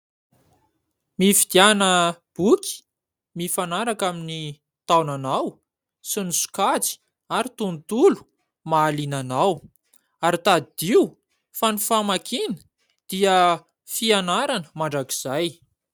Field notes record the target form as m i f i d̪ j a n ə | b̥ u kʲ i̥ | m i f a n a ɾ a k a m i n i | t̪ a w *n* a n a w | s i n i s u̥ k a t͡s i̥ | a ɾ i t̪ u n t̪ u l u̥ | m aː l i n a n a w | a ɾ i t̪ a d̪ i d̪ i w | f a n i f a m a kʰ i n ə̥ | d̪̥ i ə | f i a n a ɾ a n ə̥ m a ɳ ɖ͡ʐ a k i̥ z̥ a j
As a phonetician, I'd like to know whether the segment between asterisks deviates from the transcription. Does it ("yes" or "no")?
no